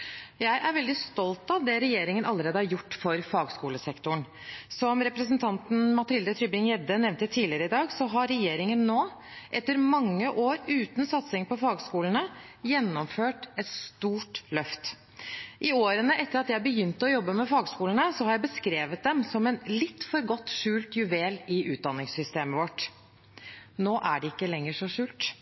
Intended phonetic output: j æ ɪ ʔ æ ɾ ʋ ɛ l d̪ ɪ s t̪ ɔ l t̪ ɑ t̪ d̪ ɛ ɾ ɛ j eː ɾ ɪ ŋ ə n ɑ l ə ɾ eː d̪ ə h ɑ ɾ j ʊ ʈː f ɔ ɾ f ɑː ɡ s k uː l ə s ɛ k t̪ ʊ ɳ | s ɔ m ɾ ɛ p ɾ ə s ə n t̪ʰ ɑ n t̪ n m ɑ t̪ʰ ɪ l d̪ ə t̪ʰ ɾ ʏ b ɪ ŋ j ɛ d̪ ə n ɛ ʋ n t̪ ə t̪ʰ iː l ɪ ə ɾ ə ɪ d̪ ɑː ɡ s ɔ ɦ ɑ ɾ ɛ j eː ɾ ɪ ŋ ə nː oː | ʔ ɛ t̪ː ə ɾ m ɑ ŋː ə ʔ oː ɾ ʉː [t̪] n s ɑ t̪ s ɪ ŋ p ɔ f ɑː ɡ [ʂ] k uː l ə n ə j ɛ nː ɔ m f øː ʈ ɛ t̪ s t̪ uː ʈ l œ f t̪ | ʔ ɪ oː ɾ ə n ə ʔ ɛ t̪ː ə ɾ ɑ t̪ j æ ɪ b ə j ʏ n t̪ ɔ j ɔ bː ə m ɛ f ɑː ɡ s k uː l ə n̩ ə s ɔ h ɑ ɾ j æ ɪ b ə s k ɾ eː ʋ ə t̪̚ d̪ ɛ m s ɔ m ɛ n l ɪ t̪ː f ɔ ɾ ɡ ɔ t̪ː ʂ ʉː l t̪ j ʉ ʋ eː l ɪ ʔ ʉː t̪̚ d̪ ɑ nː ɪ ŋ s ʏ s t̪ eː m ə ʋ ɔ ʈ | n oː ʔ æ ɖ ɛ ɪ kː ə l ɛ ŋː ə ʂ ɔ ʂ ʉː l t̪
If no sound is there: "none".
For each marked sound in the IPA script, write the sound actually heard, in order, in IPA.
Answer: t̪, s

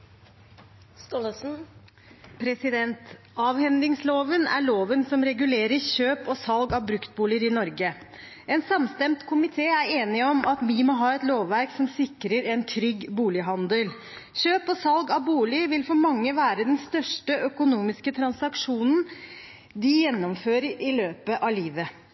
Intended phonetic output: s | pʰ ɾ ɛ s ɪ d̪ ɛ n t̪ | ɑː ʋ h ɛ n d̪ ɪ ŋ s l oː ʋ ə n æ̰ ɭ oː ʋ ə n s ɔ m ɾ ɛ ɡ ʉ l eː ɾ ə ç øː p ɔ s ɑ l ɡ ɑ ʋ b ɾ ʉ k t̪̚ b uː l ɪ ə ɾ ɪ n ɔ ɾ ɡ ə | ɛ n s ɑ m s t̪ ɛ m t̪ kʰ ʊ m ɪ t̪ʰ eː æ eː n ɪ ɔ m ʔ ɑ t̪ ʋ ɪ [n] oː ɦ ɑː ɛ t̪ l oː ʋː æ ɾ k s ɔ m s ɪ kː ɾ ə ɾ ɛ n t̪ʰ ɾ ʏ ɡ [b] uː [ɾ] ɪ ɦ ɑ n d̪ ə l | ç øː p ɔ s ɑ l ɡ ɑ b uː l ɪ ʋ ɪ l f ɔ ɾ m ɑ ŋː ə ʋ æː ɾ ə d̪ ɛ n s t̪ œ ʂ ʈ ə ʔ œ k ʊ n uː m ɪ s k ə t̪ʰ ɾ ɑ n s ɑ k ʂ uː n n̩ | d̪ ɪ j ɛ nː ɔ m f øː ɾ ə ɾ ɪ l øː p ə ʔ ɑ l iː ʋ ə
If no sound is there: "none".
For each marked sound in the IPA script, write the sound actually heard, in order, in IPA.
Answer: m, b, l

